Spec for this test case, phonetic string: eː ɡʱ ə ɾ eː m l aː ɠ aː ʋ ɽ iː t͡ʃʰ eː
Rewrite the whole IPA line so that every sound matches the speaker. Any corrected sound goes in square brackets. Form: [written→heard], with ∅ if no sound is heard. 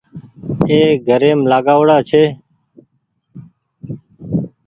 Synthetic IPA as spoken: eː ɡʱ ə ɾ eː m l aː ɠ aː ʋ ɽ [iː→aː] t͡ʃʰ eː